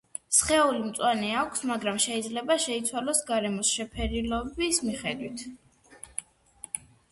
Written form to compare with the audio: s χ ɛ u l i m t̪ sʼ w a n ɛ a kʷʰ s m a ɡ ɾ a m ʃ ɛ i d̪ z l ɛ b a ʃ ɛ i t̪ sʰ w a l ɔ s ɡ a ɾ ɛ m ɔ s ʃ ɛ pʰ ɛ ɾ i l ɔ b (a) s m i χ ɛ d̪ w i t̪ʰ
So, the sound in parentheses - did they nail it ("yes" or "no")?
no